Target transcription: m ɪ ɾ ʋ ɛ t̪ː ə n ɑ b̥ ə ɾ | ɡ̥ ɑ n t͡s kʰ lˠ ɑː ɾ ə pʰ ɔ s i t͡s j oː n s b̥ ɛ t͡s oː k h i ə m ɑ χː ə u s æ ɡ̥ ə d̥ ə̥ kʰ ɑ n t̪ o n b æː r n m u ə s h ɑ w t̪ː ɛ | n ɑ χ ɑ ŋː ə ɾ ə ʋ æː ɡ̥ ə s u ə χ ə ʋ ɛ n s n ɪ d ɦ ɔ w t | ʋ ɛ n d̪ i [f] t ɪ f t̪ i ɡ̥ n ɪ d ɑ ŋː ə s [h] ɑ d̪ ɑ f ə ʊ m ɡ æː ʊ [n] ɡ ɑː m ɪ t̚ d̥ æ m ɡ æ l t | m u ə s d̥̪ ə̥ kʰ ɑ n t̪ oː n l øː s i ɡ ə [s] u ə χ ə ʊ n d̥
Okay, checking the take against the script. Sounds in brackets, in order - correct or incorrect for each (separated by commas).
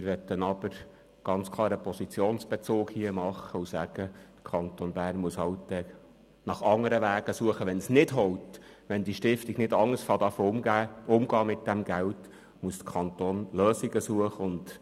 incorrect, incorrect, incorrect, correct